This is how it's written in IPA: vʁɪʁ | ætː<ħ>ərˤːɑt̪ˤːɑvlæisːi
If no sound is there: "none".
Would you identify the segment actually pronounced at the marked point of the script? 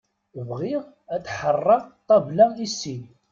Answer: ħ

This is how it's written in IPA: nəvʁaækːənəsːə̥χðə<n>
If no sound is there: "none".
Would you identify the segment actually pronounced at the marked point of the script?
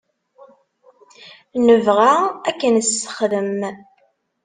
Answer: m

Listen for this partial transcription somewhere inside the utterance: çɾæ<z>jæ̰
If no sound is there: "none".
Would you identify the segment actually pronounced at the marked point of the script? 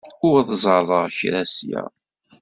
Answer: s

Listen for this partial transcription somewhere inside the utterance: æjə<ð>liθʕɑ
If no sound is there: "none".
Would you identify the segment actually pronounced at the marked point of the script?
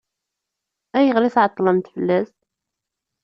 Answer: ʁ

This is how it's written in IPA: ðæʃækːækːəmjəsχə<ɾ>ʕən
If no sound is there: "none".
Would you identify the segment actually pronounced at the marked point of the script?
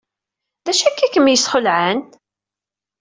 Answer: l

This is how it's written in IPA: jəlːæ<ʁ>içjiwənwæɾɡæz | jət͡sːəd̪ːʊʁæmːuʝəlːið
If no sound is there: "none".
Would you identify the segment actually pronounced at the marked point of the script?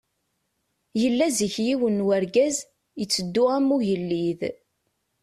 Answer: z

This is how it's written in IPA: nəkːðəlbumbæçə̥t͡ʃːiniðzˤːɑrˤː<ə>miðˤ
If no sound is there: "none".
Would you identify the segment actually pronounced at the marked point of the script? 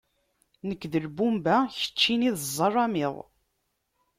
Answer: ɑ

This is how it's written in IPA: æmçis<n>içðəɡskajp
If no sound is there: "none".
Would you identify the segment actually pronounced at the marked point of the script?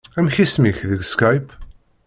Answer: m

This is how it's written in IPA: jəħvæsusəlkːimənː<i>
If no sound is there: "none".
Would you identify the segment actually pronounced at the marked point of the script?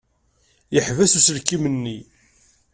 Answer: i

